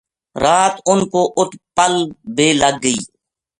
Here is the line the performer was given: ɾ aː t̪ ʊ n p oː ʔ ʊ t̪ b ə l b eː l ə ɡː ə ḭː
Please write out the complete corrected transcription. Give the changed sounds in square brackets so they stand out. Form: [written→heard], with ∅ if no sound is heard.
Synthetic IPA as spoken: ɾ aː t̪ ʊ n [p→k] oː ʔ ʊ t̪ [b→p] ə l b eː l ə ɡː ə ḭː